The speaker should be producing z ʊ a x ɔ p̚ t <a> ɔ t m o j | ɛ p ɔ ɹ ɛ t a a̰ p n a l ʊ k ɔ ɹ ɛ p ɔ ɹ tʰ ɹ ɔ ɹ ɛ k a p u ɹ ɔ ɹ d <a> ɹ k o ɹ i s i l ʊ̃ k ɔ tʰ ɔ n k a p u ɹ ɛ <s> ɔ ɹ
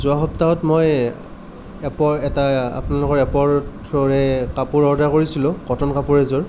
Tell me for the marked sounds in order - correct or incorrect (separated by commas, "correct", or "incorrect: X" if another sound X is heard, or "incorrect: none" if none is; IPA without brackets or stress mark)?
correct, correct, incorrect: z